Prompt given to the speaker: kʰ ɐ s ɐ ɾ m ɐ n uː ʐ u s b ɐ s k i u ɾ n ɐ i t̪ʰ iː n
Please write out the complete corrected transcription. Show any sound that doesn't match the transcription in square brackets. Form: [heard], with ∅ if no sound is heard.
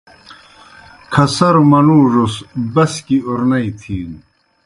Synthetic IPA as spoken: kʰ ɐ s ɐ ɾ m ɐ n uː ʐ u s b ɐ s k i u ɾ n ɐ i t̪ʰ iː n